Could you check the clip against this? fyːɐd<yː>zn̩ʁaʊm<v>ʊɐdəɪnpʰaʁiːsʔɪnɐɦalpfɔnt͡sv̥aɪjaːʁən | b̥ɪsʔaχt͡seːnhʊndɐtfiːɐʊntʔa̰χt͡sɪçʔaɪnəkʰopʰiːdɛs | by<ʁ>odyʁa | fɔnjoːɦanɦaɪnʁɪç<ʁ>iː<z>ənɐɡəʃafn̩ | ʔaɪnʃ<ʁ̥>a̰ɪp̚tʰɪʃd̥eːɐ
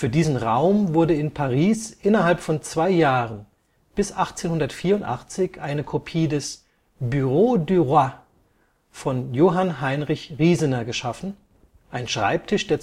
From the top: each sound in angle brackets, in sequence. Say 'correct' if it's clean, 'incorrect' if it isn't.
incorrect, correct, correct, correct, correct, correct

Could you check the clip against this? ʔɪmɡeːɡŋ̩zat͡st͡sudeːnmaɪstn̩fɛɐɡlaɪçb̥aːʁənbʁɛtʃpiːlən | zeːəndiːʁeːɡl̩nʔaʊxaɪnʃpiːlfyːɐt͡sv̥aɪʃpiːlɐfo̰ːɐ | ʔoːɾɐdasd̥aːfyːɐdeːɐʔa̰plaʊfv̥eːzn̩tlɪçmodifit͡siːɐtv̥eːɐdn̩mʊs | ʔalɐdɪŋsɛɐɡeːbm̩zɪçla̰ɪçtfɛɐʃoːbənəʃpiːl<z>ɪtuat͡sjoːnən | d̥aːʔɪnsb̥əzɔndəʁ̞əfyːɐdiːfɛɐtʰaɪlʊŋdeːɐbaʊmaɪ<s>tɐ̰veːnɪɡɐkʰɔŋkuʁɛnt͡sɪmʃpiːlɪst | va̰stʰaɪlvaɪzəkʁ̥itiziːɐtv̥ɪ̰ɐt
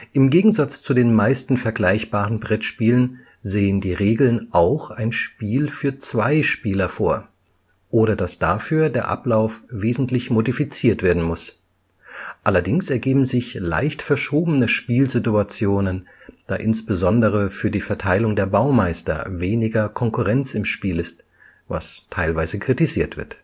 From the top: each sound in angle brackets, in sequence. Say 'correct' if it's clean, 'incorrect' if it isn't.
correct, correct

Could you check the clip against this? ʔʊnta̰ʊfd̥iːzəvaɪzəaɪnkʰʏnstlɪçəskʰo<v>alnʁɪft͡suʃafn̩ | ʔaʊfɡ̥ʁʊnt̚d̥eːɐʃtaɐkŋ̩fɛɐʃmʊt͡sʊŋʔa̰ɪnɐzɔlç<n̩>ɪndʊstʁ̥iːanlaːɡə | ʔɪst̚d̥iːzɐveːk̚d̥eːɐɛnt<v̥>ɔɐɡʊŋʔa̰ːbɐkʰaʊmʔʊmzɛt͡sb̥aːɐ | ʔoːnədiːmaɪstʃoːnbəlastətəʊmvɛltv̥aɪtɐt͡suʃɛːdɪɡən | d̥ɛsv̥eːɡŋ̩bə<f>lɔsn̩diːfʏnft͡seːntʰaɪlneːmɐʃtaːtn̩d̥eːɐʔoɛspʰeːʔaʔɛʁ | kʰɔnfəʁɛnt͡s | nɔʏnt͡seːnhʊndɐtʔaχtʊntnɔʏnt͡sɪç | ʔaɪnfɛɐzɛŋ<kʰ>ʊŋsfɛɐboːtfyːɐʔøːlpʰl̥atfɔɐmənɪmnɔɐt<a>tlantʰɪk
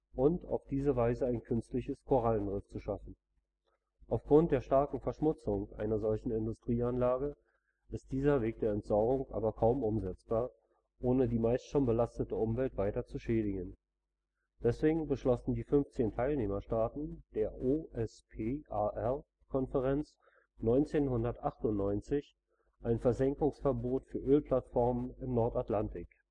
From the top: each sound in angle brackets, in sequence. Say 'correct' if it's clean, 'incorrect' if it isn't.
incorrect, correct, incorrect, incorrect, incorrect, correct

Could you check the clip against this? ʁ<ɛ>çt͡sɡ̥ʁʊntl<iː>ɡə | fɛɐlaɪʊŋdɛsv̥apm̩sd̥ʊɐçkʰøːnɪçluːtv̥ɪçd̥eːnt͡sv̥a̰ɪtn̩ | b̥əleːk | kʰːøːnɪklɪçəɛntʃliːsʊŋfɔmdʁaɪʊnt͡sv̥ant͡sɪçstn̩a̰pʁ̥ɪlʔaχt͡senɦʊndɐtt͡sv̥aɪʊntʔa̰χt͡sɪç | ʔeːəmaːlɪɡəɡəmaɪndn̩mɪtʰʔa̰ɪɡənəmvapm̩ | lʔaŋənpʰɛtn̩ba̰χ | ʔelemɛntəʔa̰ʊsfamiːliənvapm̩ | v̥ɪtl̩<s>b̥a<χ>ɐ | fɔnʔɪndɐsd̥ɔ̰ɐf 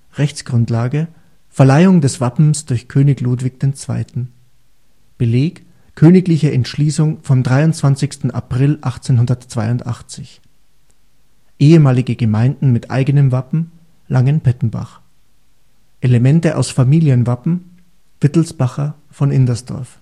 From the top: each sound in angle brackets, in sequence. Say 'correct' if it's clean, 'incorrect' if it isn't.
correct, incorrect, correct, correct

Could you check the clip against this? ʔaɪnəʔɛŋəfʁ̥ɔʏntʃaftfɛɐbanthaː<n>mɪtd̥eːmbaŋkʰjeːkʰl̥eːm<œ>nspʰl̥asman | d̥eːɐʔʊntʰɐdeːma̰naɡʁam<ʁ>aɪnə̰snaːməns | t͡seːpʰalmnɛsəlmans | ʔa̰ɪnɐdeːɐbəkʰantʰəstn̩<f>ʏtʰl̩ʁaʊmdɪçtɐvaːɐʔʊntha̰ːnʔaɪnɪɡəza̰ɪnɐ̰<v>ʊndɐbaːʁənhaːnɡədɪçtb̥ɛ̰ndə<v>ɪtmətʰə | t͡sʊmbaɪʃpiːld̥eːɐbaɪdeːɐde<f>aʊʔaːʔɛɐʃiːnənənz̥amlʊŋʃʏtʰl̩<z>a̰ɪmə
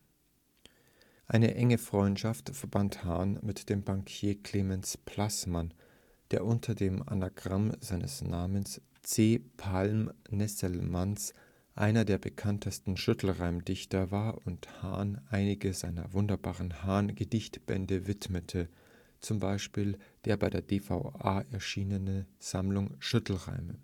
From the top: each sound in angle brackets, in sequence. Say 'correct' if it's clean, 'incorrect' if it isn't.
correct, incorrect, incorrect, incorrect, correct, correct, correct, incorrect

